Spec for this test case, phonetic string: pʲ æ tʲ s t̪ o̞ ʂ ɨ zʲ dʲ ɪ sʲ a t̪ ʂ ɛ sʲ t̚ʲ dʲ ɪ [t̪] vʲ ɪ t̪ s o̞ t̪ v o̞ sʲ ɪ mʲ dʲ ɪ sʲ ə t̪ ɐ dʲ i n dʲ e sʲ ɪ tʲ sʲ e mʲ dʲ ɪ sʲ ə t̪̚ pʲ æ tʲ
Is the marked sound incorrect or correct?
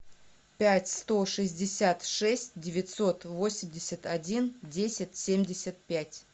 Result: incorrect